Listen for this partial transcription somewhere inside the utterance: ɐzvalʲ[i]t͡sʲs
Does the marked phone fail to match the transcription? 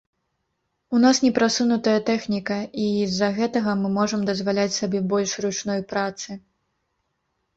yes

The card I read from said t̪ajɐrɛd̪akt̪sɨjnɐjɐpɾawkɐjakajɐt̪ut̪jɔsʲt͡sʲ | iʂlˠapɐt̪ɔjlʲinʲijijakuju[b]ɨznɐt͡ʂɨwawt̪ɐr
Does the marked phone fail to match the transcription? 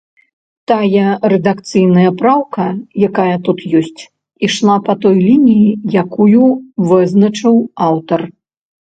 yes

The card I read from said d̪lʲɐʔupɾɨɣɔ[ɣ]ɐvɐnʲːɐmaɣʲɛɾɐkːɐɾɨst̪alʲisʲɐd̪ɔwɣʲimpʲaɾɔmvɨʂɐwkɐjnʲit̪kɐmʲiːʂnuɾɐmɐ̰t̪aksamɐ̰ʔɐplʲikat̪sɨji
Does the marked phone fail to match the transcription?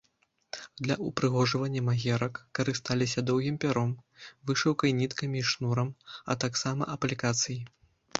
yes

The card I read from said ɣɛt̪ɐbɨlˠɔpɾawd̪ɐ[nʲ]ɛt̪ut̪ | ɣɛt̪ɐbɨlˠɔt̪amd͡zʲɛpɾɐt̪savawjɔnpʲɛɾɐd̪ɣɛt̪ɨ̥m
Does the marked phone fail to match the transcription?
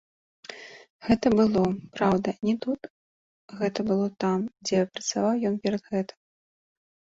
no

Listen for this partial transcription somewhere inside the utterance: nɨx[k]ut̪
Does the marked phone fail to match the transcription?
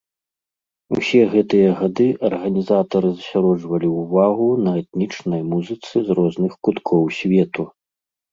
no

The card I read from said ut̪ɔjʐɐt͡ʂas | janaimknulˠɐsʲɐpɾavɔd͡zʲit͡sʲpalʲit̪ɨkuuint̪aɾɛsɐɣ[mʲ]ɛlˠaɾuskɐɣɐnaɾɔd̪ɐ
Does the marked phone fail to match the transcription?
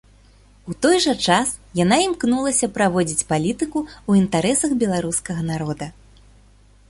yes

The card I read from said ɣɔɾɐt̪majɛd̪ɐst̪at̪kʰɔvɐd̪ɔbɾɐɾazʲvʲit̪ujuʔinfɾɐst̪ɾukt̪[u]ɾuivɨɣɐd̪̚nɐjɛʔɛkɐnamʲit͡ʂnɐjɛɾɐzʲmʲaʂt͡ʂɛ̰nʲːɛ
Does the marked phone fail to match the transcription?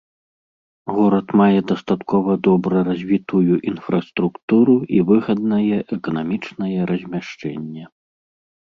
no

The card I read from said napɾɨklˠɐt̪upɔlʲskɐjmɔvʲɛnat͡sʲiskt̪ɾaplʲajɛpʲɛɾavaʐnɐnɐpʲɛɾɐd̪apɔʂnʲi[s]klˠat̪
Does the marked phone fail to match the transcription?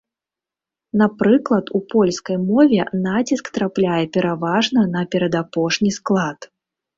no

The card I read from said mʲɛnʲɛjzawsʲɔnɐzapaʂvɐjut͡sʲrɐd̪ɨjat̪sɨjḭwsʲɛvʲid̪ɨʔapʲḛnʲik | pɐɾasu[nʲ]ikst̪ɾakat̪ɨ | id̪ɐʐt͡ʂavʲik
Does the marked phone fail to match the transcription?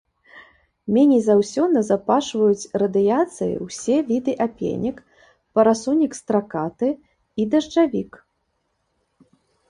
no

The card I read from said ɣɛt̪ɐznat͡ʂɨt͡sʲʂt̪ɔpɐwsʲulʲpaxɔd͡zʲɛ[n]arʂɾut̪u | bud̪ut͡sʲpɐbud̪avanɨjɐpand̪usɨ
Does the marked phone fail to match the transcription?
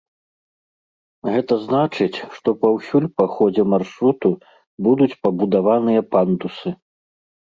yes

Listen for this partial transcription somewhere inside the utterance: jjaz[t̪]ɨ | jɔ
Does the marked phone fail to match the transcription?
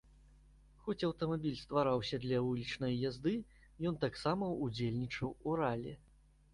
yes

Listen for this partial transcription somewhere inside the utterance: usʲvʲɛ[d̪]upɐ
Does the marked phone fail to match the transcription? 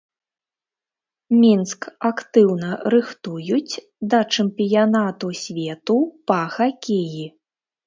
yes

